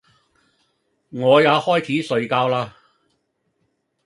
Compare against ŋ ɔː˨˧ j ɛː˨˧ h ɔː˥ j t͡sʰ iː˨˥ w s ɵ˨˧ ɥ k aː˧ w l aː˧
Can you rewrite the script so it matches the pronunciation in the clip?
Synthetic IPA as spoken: ŋ ɔː˨˧ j aː˨˧ h ɔː˥ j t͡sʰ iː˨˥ s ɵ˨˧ ɥ k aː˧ w l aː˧